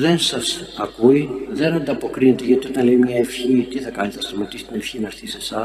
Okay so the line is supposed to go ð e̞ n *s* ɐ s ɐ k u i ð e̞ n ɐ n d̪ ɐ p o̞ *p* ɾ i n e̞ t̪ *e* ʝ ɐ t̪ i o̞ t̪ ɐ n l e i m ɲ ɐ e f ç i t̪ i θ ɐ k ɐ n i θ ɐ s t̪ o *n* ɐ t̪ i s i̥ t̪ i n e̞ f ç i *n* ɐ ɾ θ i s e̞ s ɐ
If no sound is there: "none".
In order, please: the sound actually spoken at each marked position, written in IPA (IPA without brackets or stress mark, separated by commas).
s, k, e, m, n